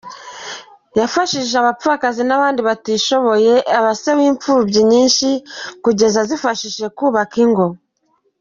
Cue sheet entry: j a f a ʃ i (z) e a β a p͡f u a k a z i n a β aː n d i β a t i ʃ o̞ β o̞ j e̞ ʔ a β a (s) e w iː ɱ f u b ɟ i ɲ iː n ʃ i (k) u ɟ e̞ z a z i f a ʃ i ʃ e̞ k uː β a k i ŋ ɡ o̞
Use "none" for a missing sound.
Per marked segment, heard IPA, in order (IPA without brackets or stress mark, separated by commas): ʒ, s, k